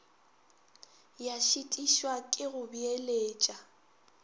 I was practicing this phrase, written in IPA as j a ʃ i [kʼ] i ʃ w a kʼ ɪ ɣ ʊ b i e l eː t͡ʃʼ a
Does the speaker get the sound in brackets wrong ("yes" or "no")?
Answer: yes